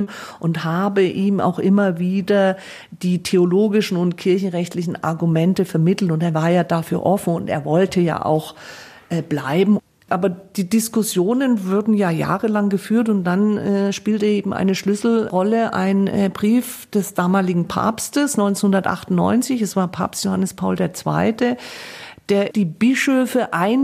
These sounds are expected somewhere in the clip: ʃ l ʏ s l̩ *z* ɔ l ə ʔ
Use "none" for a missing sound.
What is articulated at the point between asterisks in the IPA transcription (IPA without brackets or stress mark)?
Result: ʁ